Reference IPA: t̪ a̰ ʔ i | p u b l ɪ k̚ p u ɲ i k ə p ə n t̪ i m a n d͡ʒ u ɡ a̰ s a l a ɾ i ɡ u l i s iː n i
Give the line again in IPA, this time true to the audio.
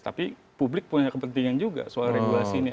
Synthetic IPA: t̪ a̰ p i | p u b l ɪ k̚ p u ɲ a k ə p ə n t̪ i ŋ a n d͡ʒ u ɡ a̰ s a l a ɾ e ɡ u l a s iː n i